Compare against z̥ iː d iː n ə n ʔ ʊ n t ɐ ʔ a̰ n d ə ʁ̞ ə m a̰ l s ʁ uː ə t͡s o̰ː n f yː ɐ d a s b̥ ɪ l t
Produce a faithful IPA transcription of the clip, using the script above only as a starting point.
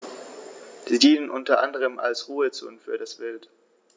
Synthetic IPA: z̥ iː d iː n ə n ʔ ʊ n t ɐ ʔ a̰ n d ə ʁ̞ ə m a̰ l s ʁ uː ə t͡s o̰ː n f yː ɐ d a s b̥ ɪ l t